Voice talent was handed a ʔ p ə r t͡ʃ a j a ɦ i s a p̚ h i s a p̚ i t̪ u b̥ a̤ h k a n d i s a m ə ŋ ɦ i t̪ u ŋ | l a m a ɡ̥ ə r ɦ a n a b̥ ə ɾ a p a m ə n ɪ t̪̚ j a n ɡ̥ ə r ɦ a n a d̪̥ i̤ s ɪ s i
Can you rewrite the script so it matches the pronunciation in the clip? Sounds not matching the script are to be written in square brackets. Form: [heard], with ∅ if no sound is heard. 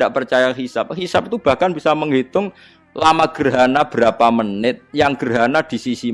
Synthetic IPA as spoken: a ʔ p ə r t͡ʃ a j a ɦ i s a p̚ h i s a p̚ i t̪ u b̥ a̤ h k a n [b] i s a m ə ŋ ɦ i t̪ [ʊ] ŋ | l a m a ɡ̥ ə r ɦ a n a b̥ ə ɾ a p a m ə n ɪ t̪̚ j a [ŋ] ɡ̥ ə r ɦ a n a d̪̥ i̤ s [i] s i